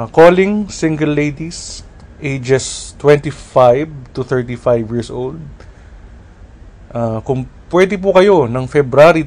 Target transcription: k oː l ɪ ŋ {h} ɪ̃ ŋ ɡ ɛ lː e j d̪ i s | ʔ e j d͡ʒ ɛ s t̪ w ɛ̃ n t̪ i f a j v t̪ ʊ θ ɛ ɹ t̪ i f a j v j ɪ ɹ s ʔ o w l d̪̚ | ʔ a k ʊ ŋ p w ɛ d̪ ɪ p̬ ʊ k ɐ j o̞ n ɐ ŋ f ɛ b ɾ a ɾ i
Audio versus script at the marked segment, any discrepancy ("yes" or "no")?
yes